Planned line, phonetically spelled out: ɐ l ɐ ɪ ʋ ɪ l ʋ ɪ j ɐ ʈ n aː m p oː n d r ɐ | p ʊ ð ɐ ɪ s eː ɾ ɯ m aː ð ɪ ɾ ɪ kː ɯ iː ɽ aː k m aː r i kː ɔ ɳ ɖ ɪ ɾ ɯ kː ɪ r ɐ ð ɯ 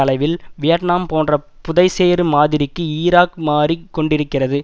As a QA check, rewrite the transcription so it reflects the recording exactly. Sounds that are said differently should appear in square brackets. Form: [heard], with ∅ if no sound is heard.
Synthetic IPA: ɐ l ɐ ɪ ʋ ɪ l ʋ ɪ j ɐ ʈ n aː m p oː n d r ɐ | p ʊ ð ɐ ɪ s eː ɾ ɯ m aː ð ɪ ɾ ɪ kː ɯ iː [ɾ] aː k m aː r i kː ɔ ɳ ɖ ɪ ɾ ɯ kː ɪ r ɐ ð ɯ